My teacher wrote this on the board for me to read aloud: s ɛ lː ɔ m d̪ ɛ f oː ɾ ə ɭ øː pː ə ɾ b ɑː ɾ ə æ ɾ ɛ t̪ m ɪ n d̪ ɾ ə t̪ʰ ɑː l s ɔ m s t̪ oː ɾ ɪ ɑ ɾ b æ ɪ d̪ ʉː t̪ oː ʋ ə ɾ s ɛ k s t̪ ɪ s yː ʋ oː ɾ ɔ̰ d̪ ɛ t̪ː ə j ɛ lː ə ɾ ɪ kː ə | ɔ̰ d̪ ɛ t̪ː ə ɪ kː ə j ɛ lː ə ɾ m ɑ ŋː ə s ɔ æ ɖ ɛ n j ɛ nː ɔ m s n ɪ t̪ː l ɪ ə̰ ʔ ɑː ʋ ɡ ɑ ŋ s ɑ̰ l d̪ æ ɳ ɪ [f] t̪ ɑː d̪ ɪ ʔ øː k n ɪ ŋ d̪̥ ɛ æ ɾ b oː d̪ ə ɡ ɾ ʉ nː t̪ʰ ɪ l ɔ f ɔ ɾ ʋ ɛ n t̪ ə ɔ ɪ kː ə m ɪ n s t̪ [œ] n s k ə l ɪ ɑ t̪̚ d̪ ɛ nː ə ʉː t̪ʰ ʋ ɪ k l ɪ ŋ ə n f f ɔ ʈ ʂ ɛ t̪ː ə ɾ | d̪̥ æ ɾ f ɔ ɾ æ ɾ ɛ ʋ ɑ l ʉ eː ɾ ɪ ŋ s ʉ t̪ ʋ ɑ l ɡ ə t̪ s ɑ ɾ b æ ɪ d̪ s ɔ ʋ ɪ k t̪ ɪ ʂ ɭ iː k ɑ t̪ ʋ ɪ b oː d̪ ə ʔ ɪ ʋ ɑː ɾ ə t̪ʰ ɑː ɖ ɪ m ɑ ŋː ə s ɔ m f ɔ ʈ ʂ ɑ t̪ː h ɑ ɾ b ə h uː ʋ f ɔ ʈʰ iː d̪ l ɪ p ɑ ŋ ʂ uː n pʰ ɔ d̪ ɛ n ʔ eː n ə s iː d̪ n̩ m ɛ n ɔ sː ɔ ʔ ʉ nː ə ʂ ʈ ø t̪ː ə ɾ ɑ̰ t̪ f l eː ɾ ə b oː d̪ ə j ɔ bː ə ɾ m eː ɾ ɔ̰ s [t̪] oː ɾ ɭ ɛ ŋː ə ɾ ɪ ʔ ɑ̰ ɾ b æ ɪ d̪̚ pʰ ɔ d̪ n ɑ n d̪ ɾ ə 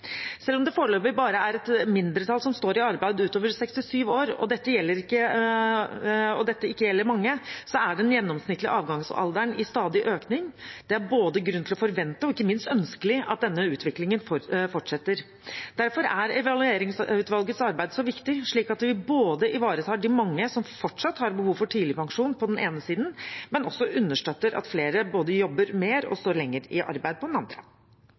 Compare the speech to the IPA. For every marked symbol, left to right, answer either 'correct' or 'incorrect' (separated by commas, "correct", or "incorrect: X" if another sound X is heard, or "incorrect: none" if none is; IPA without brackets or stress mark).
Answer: incorrect: s, correct, correct